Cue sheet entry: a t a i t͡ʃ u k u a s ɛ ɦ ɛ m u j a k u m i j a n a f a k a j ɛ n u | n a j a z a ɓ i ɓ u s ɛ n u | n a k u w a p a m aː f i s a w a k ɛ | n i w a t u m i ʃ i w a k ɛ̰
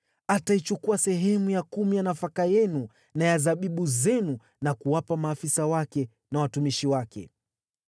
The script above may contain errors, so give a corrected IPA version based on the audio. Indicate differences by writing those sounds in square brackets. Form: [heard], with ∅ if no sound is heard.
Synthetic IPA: a t a i t͡ʃ u k u a s ɛ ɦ ɛ m u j a k u m i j a n a f a k a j ɛ n u | n a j a z a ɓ i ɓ u [z] ɛ n u | n a k u w a p a m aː f i s a w a k ɛ | n [a] w a t u m i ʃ i w a k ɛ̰